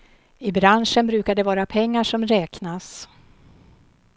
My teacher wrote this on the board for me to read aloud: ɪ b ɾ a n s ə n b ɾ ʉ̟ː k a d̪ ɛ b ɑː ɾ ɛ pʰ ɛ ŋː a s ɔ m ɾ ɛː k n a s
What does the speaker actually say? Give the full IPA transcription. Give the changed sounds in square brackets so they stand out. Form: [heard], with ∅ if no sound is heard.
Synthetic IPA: ɪ b ɾ a n [ʂ] ə n b ɾ ʉ̟ː k a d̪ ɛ [v] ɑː ɾ [a] pʰ ɛ ŋː a [ʂ] ɔ m ɾ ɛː k n a s